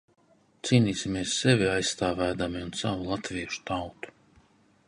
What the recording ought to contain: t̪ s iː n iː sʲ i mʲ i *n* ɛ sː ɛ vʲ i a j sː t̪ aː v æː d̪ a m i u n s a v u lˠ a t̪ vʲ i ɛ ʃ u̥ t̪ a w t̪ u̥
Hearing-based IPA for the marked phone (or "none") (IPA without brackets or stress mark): none